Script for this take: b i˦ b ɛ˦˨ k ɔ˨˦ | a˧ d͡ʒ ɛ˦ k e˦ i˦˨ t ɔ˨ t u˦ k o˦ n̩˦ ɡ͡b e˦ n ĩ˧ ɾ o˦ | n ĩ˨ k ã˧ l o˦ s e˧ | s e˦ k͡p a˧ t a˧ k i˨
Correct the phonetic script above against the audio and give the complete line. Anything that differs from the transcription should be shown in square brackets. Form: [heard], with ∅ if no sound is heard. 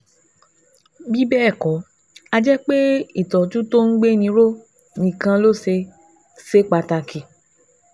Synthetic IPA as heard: b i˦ b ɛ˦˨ k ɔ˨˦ | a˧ d͡ʒ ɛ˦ [k͡p] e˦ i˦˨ t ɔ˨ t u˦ [t] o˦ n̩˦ ɡ͡b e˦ n ĩ˧ ɾ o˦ | n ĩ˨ k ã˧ l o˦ s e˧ | s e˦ k͡p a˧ t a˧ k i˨